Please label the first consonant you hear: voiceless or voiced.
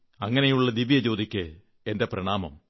voiced